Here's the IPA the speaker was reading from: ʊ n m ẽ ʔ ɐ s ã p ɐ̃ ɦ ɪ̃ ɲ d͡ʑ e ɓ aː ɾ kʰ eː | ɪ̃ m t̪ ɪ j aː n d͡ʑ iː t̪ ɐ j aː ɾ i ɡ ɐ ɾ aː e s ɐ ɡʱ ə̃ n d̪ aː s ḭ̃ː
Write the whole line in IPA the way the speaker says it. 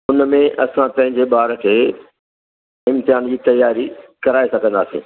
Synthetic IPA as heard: ʊ n m ẽ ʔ ɐ s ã p ɐ̃ ɦ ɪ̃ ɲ d͡ʑ e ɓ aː ɾ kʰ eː | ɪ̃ m t̪ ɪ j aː n d͡ʑ iː t̪ ɐ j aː ɾ i k ɐ ɾ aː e s ɐ ɡʱ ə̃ n d̪ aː s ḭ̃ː

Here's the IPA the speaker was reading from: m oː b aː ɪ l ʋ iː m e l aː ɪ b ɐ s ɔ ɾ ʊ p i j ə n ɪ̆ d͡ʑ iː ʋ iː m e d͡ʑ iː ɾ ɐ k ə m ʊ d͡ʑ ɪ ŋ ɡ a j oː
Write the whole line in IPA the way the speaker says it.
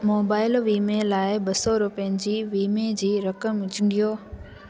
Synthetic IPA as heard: m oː b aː ɪ l ʋ iː m e l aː ɪ b ɐ s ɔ ɾ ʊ p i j ə n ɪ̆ d͡ʑ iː ʋ iː m e d͡ʑ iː ɾ ɐ k ə m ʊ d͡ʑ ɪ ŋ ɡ i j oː

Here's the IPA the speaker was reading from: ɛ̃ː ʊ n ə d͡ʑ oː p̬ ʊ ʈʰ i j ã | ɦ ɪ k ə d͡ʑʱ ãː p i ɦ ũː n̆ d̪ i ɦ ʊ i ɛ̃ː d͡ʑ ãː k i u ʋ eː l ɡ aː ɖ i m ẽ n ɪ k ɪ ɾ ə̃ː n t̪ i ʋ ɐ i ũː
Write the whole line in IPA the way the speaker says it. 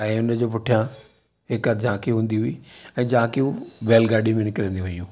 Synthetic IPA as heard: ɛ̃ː ʊ n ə d͡ʑ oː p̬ ʊ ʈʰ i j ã | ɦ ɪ k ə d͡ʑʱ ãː k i ɦ ũː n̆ d̪ i ɦ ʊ i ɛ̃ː d͡ʑ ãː k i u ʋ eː l ɡ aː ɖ i m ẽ n ɪ k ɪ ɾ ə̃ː n d̪ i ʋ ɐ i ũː

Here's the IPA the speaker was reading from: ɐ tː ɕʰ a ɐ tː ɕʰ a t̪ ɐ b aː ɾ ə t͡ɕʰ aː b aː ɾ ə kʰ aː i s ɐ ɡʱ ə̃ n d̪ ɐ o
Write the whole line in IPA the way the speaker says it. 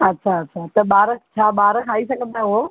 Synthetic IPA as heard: ɐ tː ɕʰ a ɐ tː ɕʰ a t̪ ɐ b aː ɾ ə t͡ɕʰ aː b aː ɾ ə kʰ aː i s ɐ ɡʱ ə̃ n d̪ a o

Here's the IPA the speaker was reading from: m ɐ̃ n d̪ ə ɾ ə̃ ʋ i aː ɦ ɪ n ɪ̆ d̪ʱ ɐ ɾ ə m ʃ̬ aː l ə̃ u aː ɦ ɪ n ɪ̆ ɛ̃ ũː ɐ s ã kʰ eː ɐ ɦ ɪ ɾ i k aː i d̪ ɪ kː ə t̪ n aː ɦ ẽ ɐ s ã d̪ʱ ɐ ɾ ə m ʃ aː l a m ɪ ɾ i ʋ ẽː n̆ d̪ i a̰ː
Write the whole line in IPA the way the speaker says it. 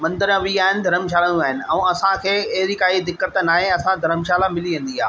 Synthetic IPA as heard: m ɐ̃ n d̪ ə ɾ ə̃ ʋ i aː ɦ ɪ n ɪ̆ d̪ʱ ɐ ɾ ə m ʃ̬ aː l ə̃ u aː ɦ ɪ n ɪ̆ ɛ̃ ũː ɐ s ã kʰ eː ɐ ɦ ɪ ɾ i k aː i d̪ ɪ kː ə t̪ n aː ɦ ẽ ɐ s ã d̪ʱ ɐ ɾ ə m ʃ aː l a m ɪ l i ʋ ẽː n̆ d̪ i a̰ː

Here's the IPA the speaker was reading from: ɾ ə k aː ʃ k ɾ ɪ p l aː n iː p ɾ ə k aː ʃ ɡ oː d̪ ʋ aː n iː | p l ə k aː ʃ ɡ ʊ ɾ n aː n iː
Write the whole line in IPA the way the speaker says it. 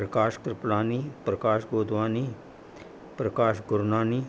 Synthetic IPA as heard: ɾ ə k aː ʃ k ɾ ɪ p l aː n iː p ɾ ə k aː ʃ ɡ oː d̪ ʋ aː n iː | p ɾ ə k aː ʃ ɡ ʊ ɾ n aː n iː

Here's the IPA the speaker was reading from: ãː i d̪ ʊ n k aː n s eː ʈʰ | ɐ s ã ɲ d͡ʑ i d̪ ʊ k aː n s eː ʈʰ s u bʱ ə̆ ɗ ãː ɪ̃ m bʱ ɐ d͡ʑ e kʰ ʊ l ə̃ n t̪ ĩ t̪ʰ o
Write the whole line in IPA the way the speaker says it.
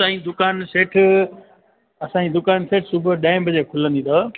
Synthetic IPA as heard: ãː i d̪ ʊ k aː n s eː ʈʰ | ɐ s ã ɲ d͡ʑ i d̪ ʊ k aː n s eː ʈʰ s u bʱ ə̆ ɗ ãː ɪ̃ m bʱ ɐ d͡ʑ e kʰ ʊ l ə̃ n d̪ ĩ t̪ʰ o

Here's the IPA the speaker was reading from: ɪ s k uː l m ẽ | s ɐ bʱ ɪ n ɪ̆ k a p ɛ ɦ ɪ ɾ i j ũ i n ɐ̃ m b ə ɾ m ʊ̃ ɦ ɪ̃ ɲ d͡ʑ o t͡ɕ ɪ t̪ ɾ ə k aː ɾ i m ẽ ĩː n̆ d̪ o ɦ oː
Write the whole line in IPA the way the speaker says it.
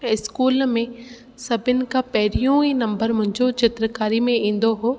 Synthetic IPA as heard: ɪ s k uː l m ẽ | s ɐ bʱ ɪ n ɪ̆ k a p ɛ ɦ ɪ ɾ i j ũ i n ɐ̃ m b ə ɾ m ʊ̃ ɦ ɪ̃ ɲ d͡ʑ o t͡ɕ ɪ t̪ ɾ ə k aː ɾ i m ẽ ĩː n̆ d̪ o ɦ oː

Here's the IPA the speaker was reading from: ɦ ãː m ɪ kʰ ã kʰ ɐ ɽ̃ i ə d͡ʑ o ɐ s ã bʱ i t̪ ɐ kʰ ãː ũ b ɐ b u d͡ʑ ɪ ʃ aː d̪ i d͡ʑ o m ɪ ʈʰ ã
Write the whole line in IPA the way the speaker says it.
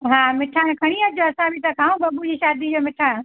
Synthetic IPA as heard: ɦ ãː m ɪ ʈʰ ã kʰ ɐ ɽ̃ i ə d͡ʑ o ɐ s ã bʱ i t̪ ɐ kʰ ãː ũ b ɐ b u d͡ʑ i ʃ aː d̪ i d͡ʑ o m ɪ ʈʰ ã

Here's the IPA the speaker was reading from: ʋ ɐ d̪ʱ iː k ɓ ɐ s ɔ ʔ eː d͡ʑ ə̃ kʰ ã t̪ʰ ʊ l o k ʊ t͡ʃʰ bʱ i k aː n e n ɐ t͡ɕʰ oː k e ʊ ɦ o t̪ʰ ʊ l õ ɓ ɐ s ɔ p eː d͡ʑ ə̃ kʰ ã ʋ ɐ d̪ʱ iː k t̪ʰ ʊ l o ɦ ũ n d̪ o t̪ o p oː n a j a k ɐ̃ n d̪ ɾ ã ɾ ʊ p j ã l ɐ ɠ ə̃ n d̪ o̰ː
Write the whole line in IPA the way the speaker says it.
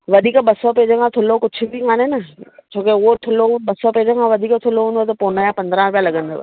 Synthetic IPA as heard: ʋ ɐ d̪ʱ iː k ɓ ɐ s ɔ p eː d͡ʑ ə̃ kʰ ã t̪ʰ ʊ l o k ʊ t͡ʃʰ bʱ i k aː n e n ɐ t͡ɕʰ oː k e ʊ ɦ o t̪ʰ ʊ l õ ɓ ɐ s ɔ p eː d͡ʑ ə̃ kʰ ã ʋ ɐ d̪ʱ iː k t̪ʰ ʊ l o ɦ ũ n d̪ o t̪ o p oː n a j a p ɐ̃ n d̪ ɾ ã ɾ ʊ p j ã l ɐ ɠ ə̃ n d̪ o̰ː

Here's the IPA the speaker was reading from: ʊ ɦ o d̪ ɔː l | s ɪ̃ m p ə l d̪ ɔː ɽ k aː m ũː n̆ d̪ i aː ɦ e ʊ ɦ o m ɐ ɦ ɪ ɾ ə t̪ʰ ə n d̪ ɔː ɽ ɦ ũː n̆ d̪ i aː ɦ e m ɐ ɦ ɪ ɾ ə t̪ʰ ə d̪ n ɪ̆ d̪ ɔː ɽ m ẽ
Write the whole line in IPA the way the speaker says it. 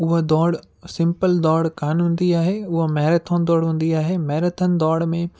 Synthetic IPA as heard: ʊ ɦ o d̪ ɔː ɽ | s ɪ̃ m p ə l d̪ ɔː ɽ k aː n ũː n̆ d̪ i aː ɦ e ʊ ɦ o m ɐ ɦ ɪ ɾ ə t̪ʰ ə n d̪ ɔː ɽ ɦ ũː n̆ d̪ i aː ɦ e m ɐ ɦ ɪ ɾ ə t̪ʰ ə n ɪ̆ d̪ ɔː ɽ m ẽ

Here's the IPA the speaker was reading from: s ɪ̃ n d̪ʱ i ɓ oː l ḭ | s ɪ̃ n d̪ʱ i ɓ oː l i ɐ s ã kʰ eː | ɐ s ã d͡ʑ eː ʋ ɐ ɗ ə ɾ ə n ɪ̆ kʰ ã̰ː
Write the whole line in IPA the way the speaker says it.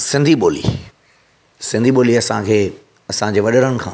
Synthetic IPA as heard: s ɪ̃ n d̪ʱ i ɓ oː l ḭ | s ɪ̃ n d̪ʱ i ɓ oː l i ɐ s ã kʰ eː | ɐ s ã d͡ʑ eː ʋ ɐ ɗ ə ɾ ə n ɪ̆ kʰ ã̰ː

